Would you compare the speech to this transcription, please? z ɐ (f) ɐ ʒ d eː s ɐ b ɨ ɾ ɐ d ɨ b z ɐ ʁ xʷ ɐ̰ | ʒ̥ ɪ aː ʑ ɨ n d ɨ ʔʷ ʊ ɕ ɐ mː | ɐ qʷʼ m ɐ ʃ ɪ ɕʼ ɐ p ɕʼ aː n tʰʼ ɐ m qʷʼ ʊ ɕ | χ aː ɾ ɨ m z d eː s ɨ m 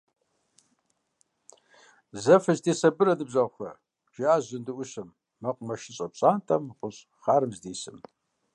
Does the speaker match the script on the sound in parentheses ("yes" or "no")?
yes